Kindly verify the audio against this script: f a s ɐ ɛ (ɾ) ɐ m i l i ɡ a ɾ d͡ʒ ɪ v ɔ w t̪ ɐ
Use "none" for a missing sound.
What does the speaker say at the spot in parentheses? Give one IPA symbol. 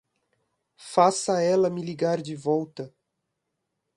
l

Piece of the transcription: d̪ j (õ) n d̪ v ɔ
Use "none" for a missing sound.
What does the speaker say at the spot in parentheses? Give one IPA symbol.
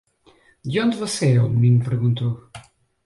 õ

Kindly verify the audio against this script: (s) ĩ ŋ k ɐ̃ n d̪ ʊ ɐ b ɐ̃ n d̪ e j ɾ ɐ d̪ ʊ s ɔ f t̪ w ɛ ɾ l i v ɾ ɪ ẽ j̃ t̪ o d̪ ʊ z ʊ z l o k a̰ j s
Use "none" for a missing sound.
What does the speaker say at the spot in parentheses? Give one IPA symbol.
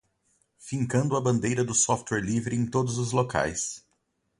f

